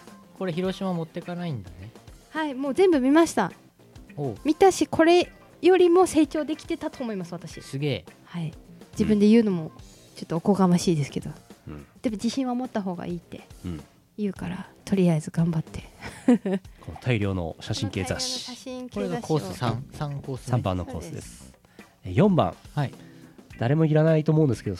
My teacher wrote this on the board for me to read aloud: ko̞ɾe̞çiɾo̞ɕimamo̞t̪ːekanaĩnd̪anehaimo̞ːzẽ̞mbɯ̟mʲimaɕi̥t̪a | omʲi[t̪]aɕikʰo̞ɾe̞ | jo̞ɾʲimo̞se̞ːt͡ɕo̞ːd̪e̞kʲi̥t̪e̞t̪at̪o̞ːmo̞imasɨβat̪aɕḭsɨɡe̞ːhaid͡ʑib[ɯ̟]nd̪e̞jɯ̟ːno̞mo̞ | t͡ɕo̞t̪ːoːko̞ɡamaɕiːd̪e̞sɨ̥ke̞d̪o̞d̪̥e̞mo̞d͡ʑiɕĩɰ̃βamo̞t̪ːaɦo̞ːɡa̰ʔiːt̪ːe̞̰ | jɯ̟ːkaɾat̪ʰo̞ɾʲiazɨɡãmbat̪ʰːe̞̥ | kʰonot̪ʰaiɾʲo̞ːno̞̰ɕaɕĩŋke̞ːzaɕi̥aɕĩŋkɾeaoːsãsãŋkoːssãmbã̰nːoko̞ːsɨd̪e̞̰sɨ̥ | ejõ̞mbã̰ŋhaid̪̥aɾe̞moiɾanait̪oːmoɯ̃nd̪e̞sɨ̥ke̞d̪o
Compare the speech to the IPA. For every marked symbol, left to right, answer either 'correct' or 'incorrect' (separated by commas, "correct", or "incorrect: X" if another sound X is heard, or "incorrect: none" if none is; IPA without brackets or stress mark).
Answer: correct, incorrect: ɯ̟̃